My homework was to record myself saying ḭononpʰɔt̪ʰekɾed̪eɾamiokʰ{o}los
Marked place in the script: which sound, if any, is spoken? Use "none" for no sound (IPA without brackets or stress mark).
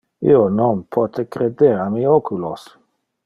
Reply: u